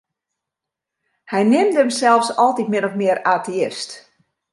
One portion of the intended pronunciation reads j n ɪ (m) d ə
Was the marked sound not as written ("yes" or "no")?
no